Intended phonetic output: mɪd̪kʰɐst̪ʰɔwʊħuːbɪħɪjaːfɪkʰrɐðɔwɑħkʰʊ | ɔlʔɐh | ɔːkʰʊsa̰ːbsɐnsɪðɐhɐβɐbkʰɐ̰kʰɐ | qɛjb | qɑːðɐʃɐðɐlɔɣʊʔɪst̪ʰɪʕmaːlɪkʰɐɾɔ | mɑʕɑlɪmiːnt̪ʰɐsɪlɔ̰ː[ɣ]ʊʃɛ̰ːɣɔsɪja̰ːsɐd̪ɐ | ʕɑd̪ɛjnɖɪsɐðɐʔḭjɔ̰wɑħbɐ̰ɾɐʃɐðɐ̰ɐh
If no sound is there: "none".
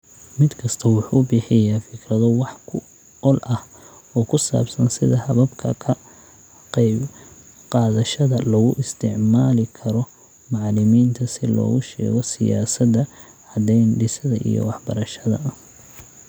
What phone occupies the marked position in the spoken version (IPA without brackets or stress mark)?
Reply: ɣ